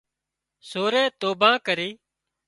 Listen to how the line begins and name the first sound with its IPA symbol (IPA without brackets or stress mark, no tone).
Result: s